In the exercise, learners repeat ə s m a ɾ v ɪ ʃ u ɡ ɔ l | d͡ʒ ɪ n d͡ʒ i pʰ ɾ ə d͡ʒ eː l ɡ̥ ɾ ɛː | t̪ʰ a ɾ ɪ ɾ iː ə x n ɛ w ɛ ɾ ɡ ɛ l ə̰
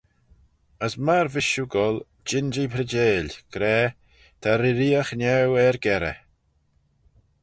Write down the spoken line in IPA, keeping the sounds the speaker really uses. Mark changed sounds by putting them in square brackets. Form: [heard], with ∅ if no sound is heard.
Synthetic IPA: ə s m a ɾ v ɪ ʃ u ɡ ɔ l | d͡ʒ ɪ n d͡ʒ i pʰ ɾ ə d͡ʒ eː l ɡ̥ ɾ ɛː | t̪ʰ a ɾ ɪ ɾ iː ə x n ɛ w ɛ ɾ ɡ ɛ [ɾ] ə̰